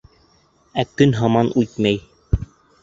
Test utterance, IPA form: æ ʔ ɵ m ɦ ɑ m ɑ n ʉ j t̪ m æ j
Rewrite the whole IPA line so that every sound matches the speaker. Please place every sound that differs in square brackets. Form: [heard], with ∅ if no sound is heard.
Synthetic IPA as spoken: æ [k] ɵ [n] ɦ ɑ m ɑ n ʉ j t̪ m æ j